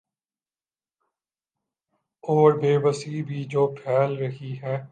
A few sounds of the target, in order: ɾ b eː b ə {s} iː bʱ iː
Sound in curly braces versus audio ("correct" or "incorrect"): correct